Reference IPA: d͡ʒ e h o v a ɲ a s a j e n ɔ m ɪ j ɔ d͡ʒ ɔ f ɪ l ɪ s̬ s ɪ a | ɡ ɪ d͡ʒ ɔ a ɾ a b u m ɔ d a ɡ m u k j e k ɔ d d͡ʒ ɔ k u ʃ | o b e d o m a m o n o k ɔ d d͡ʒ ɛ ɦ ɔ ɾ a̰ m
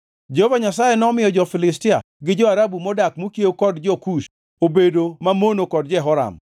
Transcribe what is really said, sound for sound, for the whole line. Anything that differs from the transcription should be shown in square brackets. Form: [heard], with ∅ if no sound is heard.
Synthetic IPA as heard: d͡ʒ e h o v a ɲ a s a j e n ɔ m ɪ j ɔ d͡ʒ ɔ f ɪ l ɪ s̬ [t] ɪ a | ɡ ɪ d͡ʒ ɔ a ɾ a b u m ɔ d a [k] m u k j e k ɔ d d͡ʒ ɔ k u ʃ | o b e d o m a m o n o k ɔ d d͡ʒ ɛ ɦ ɔ ɾ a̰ m